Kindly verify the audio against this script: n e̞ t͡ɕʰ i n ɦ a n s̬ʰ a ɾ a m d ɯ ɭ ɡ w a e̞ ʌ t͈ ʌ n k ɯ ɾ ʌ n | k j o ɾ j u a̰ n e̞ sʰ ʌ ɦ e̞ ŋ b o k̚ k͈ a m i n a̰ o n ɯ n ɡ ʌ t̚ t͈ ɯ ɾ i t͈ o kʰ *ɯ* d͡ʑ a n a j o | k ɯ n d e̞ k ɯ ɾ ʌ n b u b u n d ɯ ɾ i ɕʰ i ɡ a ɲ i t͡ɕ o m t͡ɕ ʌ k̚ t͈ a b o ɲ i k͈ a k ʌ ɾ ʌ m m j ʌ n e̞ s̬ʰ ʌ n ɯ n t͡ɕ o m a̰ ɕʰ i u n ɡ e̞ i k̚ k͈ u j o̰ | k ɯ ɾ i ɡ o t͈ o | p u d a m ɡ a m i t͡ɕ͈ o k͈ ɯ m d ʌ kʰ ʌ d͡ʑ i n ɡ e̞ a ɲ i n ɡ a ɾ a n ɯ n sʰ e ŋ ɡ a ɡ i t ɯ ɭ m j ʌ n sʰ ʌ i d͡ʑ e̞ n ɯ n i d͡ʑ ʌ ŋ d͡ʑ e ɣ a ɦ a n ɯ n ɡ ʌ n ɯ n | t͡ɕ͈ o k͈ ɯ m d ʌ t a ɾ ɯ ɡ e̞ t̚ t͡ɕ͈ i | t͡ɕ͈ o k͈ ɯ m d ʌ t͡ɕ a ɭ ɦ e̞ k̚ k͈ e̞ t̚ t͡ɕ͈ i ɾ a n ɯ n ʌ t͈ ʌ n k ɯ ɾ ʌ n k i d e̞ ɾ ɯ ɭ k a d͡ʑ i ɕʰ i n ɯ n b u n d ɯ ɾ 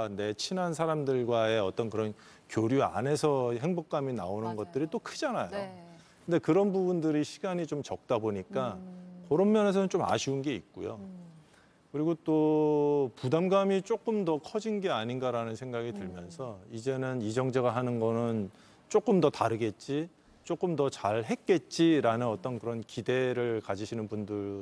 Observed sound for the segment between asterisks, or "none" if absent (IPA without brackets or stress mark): ɯ